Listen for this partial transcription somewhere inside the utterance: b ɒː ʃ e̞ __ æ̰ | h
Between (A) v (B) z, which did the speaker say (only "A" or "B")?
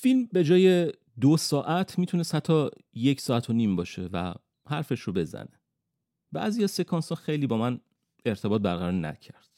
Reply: A